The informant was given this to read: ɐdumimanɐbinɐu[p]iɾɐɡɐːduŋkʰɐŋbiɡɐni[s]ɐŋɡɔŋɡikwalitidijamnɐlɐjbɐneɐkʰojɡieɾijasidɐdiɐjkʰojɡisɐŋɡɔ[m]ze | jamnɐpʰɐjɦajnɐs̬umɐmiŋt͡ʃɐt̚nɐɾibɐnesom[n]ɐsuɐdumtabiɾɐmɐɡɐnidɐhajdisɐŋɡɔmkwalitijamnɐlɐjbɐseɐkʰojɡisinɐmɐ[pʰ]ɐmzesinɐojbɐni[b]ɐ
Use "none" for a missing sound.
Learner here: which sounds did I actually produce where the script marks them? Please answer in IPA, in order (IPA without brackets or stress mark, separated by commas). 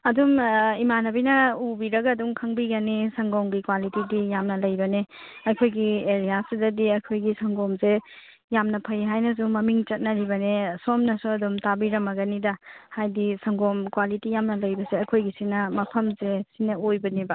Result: b, s, m, n, pʰ, b